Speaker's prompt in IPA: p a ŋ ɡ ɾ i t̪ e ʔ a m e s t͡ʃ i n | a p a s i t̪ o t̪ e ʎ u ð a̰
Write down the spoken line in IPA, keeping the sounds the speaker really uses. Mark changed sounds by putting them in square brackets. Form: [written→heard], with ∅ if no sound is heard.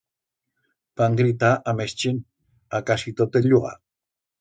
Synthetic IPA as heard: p a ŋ ɡ ɾ i t̪ [e→a] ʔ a m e s t͡ʃ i n | a [p→k] a s i t̪ o t̪ e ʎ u [ð→ɣ] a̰